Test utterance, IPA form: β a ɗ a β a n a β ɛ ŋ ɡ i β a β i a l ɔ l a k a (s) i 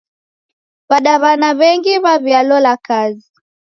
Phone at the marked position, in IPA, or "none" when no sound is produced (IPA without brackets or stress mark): z